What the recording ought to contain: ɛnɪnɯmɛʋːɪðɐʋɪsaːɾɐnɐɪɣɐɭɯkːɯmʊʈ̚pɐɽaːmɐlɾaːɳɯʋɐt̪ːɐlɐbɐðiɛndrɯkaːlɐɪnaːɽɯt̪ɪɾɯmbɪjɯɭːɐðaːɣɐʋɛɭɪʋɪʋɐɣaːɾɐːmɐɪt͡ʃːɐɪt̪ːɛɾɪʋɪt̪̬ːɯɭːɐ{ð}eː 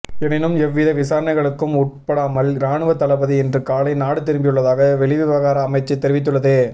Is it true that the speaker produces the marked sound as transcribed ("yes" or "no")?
yes